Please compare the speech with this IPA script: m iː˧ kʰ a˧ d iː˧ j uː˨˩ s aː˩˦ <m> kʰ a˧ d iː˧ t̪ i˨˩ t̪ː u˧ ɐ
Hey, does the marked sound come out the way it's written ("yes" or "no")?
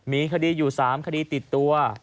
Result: yes